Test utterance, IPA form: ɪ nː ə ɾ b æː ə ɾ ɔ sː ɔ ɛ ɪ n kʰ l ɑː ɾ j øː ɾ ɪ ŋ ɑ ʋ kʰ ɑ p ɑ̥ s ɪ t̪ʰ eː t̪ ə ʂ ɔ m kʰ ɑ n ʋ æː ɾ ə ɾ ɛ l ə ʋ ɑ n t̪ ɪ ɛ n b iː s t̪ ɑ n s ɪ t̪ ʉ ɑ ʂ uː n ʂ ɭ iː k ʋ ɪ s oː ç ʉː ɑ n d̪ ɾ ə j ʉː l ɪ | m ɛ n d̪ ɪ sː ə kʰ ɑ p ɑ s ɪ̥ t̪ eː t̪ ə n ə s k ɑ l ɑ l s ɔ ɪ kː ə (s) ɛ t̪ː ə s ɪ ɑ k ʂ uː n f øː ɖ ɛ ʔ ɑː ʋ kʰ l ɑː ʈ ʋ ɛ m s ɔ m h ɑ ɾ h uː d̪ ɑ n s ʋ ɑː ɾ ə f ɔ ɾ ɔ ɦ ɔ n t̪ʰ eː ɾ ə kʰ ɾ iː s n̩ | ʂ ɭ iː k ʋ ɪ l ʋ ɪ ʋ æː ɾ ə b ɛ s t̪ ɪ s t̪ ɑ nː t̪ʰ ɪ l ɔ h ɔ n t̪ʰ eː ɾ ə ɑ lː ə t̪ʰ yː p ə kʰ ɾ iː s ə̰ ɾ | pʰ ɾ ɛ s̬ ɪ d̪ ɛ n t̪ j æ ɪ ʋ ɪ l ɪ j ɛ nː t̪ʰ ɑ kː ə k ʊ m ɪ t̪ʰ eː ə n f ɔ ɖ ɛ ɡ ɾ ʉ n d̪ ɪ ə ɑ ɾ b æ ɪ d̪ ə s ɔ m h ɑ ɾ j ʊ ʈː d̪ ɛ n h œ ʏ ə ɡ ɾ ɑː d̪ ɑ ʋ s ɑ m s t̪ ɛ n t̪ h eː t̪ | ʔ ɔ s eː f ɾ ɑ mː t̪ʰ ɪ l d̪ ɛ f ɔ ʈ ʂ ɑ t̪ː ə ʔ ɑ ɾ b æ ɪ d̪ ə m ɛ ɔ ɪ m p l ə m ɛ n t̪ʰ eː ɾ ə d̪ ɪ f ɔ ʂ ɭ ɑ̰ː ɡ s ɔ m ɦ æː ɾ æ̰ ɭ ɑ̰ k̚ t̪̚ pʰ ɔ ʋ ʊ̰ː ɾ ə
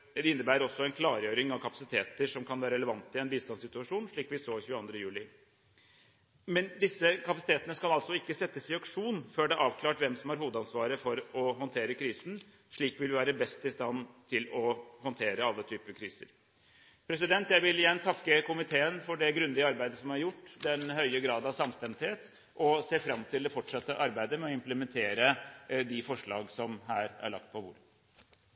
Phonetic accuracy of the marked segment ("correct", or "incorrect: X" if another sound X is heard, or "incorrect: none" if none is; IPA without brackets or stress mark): correct